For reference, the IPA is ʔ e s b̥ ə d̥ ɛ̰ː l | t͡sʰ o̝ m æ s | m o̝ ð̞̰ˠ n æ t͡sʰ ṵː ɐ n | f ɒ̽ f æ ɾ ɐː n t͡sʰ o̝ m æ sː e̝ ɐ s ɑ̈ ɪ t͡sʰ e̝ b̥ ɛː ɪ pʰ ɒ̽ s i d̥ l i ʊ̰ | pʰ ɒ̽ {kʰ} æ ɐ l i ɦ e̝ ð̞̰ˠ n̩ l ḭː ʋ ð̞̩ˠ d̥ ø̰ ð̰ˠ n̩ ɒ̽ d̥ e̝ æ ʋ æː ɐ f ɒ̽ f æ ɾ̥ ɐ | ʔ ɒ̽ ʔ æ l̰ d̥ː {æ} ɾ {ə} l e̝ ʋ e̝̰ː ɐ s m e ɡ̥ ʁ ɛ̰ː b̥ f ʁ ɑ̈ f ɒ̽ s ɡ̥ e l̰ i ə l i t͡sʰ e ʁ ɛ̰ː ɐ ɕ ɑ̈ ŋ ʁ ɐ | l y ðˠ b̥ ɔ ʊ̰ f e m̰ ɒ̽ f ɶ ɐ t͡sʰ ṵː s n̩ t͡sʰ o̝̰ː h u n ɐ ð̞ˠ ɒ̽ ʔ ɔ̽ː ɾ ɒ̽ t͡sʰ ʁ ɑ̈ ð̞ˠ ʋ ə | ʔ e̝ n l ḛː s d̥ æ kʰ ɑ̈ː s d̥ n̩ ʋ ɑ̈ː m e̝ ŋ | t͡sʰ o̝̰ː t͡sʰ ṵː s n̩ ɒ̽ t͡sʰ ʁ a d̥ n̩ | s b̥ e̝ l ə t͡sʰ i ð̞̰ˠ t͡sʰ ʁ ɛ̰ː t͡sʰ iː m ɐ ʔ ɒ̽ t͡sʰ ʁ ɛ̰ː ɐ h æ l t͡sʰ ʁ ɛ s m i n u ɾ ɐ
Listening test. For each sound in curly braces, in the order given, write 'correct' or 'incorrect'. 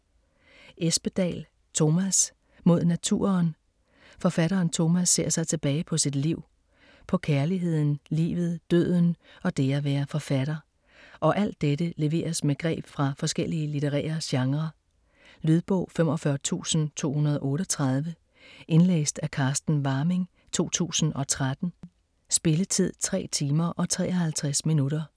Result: correct, incorrect: e, correct

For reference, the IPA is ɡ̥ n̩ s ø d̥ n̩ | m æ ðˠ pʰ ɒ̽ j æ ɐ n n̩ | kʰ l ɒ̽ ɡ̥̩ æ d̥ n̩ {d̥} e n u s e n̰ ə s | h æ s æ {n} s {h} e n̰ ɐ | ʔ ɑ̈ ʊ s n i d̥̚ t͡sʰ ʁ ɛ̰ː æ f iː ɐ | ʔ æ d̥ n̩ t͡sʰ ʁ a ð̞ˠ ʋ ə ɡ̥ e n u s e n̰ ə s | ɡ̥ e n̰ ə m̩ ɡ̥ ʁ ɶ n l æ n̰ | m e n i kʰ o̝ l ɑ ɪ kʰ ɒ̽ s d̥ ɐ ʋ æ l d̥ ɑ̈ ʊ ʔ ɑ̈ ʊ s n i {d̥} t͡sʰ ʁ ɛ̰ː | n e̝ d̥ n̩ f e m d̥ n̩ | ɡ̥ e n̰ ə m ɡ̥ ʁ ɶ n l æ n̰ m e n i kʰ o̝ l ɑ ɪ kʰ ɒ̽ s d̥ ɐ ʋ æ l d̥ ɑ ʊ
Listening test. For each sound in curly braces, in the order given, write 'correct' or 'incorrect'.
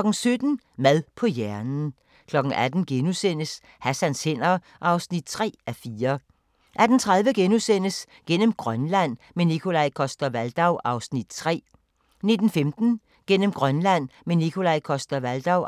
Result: incorrect: ɡ̥, correct, correct, correct

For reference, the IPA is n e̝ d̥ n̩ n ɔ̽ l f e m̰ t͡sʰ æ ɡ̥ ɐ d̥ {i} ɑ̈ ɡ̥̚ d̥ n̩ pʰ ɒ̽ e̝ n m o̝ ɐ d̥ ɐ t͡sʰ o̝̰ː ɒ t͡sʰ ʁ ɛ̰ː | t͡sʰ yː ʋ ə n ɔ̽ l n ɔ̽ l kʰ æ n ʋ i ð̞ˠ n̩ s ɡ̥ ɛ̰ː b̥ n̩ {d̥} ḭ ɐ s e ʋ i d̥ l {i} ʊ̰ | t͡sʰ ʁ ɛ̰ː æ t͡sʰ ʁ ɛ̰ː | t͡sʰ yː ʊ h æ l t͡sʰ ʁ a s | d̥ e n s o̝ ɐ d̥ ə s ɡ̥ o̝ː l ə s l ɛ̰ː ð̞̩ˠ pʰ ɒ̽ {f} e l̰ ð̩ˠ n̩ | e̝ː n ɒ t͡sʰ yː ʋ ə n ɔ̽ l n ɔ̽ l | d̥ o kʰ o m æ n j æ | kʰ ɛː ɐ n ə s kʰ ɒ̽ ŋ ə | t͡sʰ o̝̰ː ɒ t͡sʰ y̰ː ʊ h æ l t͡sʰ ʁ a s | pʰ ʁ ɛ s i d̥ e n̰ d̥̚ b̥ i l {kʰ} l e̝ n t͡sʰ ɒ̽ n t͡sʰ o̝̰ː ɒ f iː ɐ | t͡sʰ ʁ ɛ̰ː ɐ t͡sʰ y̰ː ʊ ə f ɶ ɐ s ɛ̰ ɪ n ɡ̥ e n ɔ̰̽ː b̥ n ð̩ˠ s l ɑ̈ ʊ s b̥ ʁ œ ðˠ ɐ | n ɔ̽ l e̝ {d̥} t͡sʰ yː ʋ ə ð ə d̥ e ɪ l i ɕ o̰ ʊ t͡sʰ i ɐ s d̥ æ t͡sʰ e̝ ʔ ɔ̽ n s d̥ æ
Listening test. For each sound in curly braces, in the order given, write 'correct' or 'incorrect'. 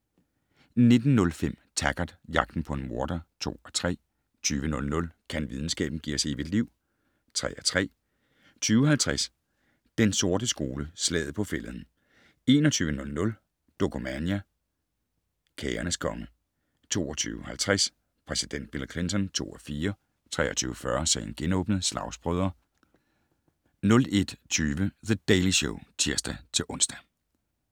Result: incorrect: j, incorrect: ɡ̥, correct, correct, correct, correct

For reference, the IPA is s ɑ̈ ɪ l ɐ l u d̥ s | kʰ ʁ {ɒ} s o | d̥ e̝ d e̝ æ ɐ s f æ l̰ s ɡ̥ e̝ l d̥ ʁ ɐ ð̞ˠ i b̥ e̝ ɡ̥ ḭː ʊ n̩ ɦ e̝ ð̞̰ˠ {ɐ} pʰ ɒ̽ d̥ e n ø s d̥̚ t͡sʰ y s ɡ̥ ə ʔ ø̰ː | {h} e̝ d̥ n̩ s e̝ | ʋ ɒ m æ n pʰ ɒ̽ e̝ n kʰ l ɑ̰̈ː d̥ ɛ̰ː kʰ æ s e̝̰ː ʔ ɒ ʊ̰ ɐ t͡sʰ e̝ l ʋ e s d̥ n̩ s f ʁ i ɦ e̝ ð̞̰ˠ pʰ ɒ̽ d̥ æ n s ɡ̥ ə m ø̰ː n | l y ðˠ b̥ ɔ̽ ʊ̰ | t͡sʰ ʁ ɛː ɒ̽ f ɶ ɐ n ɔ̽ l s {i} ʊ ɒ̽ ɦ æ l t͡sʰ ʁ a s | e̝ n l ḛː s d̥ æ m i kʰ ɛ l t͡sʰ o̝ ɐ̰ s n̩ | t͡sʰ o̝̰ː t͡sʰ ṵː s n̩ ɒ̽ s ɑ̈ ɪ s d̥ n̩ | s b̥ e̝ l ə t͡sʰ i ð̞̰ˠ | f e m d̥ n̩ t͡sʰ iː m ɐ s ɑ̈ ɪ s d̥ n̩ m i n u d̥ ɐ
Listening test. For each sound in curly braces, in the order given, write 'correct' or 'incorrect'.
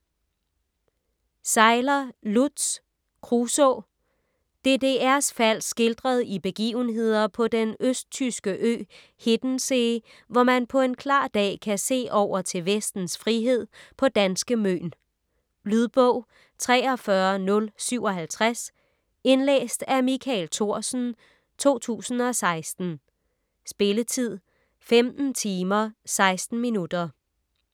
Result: incorrect: u, correct, correct, incorrect: y

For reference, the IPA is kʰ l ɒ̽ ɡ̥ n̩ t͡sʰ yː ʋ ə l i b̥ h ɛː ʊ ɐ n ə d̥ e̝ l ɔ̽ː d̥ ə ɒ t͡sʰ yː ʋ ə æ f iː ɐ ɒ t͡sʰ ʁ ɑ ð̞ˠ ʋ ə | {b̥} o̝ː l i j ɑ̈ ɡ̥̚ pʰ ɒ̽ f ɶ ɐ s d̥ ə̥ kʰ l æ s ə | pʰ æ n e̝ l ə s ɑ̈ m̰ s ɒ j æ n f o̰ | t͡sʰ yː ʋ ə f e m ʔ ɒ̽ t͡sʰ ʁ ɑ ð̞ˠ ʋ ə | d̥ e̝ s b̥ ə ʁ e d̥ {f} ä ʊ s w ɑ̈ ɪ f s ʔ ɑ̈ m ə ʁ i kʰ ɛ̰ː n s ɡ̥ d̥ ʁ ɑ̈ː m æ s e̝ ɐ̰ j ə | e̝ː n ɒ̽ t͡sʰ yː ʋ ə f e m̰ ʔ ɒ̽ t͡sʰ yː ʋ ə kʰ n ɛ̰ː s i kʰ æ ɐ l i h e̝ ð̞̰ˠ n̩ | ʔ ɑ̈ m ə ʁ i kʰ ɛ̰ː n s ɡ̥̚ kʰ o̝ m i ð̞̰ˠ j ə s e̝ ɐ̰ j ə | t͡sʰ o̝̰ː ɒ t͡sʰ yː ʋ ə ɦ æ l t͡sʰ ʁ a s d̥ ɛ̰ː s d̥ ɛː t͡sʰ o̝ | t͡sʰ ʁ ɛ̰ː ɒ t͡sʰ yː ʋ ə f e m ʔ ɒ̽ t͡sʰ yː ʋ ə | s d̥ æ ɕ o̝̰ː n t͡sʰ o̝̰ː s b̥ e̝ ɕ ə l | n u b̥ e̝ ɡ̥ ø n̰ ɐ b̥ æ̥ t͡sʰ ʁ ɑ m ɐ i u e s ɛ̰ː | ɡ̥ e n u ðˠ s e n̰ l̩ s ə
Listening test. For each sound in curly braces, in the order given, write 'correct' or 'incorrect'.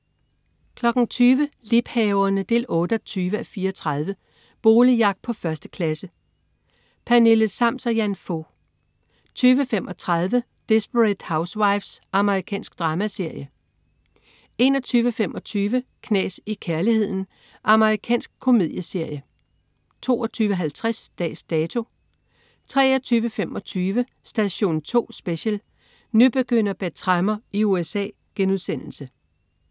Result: correct, incorrect: h

